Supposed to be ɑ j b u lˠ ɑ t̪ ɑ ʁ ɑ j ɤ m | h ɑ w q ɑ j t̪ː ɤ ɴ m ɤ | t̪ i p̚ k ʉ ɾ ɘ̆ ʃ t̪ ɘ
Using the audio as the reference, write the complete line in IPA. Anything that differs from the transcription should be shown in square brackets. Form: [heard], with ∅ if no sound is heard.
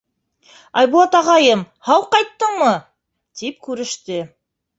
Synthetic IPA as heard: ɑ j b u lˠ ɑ t̪ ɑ ʁ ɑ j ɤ m | h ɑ w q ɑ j t̪ː ɤ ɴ m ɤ | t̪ i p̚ k ʉ ɾ ɘ̆ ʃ t̪ ɘ

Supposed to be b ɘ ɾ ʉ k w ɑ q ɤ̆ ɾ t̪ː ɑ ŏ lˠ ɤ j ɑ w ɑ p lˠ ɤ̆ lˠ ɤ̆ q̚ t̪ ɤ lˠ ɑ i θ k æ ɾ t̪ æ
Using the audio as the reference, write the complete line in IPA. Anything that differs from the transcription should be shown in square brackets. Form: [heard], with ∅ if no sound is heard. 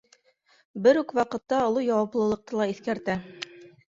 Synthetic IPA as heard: b ɘ ɾ ʉ k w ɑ q ɤ̆ [∅] t̪ː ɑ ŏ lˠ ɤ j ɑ w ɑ p lˠ ɤ̆ lˠ ɤ̆ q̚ t̪ ɤ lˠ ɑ i θ k æ ɾ t̪ æ

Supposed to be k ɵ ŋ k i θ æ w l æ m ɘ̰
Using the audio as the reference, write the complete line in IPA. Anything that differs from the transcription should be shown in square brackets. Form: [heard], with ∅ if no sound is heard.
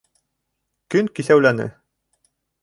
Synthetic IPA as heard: k ɵ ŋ k i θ æ w l æ [n] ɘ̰

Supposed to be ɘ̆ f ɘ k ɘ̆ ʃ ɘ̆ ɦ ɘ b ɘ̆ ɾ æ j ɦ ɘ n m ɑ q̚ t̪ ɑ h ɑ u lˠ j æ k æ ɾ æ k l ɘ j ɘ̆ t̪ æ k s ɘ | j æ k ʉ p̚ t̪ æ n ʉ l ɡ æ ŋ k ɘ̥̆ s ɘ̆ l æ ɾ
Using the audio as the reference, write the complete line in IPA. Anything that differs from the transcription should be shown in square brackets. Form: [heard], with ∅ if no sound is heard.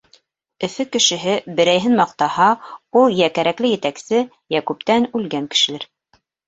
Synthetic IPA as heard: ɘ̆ f ɘ k ɘ̆ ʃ ɘ̆ ɦ ɘ b ɘ̆ ɾ æ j ɦ ɘ n m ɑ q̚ t̪ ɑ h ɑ u lˠ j æ k æ ɾ æ k l ɘ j ɘ̆ t̪ æ k s ɘ | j æ k ʉ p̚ t̪ æ n ʉ l ɡ æ ŋ k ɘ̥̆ [ʃ] ɘ̆ l æ ɾ

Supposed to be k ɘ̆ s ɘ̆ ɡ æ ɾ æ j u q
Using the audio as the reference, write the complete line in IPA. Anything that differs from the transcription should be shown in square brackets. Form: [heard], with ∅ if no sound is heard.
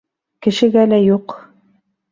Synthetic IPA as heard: k ɘ̆ [ʃ] ɘ̆ ɡ æ [l] æ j u q

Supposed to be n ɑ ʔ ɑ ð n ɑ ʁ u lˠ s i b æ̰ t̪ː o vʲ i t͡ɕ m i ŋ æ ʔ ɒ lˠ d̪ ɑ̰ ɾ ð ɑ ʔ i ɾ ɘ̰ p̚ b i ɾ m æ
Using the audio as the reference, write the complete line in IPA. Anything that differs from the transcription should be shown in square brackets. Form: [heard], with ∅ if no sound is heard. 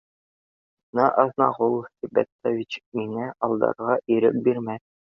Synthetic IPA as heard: n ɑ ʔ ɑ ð n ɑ ʁ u lˠ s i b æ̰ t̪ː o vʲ i t͡ɕ m i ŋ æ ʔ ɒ lˠ d̪ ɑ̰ ɾ [ʁ] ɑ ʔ i ɾ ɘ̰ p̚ b i ɾ m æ

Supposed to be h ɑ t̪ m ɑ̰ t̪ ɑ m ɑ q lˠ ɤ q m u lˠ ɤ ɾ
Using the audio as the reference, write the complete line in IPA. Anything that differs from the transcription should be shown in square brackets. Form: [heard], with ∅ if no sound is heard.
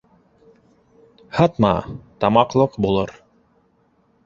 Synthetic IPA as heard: h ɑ t̪ m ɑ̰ t̪ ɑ m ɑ q lˠ ɤ q [b] u lˠ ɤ ɾ

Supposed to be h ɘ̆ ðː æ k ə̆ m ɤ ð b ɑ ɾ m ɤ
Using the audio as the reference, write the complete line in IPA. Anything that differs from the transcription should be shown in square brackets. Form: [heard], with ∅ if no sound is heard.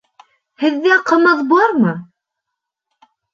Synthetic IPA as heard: h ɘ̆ ðː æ [q] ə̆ m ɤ ð b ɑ ɾ m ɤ

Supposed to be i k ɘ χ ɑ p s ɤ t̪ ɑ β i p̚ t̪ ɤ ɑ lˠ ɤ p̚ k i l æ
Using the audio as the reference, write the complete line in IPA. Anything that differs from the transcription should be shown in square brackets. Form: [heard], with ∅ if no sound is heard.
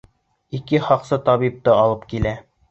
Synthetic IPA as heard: i k ɘ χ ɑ [q] s ɤ t̪ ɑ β i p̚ t̪ ɤ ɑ lˠ ɤ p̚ k i l æ

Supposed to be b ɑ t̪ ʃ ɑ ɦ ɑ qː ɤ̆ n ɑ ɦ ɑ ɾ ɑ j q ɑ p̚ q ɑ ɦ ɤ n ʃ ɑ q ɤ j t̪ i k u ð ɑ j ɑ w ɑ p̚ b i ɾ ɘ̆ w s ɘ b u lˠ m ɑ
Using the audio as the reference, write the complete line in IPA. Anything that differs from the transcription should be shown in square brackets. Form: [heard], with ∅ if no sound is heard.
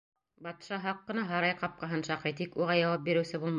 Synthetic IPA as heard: b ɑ t̪ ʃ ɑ ɦ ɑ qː ɤ̆ n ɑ ɦ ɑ ɾ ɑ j q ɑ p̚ q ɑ ɦ ɤ n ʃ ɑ q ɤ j t̪ i k u [ʁ] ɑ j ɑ w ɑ p̚ b i ɾ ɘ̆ w s ɘ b u lˠ m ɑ

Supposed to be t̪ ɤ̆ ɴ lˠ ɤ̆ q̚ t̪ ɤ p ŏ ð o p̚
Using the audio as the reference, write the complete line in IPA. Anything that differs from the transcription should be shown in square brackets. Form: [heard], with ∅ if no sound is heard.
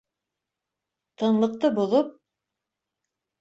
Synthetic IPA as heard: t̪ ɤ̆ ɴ lˠ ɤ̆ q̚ t̪ ɤ [b] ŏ ð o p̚

